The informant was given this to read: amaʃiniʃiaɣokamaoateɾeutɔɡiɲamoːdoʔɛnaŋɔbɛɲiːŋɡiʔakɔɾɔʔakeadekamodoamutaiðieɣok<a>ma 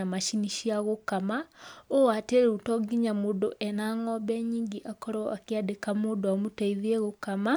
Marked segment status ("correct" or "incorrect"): correct